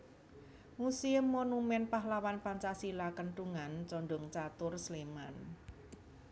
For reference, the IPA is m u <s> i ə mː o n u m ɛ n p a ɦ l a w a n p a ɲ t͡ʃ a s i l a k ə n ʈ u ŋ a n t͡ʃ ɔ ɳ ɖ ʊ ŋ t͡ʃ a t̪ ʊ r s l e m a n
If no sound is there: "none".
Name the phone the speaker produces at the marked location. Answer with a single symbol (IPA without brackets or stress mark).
s